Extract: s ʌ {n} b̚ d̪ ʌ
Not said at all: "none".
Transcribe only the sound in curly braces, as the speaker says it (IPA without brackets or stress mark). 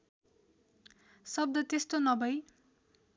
none